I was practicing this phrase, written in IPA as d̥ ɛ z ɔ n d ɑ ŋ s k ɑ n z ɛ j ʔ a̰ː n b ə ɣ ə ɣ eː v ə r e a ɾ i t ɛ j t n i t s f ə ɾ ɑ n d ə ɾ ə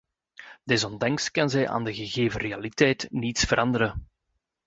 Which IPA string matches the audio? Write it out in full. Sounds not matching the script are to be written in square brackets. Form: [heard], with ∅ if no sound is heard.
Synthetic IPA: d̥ ɛ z ɔ n d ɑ ŋ s k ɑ n z ɛ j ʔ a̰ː n [d] ə ɣ ə ɣ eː v ə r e a [l] i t ɛ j t n i t s f ə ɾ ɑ n d ə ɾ ə

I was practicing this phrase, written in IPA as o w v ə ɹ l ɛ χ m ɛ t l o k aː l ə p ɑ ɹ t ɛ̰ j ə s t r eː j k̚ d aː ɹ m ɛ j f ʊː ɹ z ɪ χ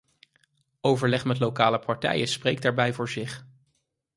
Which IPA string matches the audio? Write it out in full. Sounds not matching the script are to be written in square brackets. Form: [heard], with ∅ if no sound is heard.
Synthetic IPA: o w v ə ɹ l ɛ χ m ɛ t l o k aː l ə p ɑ ɹ t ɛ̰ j ə s [p] r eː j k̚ d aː ɹ [b] ɛ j [v] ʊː ɹ z ɪ χ

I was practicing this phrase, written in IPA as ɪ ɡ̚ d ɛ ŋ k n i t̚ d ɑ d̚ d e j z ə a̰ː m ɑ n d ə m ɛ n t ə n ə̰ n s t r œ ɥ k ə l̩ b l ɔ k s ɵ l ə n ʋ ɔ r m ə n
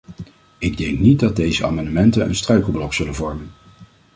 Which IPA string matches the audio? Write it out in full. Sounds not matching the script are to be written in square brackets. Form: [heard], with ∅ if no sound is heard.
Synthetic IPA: ɪ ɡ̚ d ɛ ŋ k n i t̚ d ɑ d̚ d e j z ə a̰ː m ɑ n d ə m ɛ n t ə n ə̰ n s t r œ ɥ k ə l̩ b l ɔ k s ɵ l ə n [v] ɔ [ɹ] m ə n

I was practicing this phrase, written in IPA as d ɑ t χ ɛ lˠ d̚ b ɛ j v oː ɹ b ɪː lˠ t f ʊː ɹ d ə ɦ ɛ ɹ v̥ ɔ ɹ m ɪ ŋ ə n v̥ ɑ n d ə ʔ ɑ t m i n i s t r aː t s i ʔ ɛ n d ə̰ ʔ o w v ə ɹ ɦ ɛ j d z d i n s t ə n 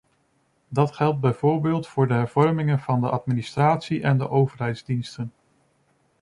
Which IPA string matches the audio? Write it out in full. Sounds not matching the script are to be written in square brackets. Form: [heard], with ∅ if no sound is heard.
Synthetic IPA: d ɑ t χ ɛ lˠ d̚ b ɛ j v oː ɹ b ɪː lˠ t f ʊː ɹ d ə ɦ ɛ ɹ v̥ ɔ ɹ m ɪ ŋ ə n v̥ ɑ n d ə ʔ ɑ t m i n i s t r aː t s i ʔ ɛ n d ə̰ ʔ o w v ə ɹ ɦ ɛ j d z d i n s t ə n

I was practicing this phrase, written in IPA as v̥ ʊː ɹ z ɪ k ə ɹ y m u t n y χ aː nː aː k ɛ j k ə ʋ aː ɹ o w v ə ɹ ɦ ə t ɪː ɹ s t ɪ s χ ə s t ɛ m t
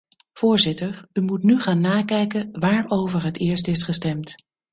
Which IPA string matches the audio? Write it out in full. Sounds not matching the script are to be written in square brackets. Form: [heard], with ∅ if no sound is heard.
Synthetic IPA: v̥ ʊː ɹ z ɪ [t] ə ɹ y m u t n y χ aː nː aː k ɛ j k ə ʋ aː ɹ o w v ə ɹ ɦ ə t ɪː ɹ s t ɪ s χ ə s t ɛ m t

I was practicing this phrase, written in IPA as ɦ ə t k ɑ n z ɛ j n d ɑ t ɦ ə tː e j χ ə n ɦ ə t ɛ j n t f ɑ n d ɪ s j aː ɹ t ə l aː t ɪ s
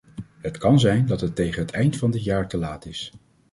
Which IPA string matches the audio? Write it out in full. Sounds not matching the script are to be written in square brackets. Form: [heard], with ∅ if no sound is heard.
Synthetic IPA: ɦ ə t k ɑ n z ɛ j n d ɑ t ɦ ə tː e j χ ə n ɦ ə t ɛ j n t f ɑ n d ɪ [t] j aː ɹ t ə l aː t ɪ s

